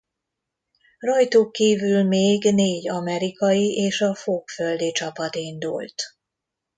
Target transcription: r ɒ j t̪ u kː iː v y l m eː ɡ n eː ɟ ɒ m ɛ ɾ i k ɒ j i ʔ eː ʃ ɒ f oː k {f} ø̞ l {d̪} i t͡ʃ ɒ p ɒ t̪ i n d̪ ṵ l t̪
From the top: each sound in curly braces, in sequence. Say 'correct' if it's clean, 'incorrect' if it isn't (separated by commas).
correct, correct